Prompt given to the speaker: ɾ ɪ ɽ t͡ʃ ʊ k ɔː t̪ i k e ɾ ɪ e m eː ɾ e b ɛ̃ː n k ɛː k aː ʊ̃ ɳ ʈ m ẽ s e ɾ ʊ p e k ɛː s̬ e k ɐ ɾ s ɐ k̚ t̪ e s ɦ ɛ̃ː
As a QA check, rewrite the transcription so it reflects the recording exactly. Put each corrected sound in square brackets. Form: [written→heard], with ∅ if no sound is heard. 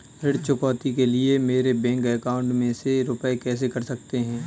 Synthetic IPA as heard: ɾ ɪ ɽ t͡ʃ ʊ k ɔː t̪ i k e [ɾ→l] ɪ e m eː ɾ e b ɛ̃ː [n→ŋ] k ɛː k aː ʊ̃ ɳ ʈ m ẽ s e ɾ ʊ p e k ɛː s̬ e k ɐ ɾ s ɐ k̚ t̪ e [s→∅] ɦ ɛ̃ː